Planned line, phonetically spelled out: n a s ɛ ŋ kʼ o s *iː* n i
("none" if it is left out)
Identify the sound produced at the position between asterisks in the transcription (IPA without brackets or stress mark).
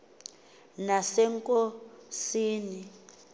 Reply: iː